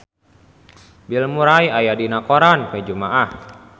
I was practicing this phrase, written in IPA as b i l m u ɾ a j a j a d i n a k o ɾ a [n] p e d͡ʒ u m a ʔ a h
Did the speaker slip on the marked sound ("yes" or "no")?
no